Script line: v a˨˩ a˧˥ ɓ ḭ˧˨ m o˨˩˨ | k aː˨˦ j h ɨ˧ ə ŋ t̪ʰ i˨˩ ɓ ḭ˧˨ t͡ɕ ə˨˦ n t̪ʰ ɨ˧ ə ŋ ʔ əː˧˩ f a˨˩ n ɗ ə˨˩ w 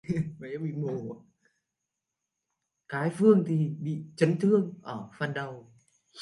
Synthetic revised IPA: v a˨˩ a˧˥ ɓ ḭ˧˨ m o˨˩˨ | k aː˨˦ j f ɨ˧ ə ŋ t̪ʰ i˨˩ ɓ ḭ˧˨ t͡ɕ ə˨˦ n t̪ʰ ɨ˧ ə ŋ ʔ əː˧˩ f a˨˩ n ɗ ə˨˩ w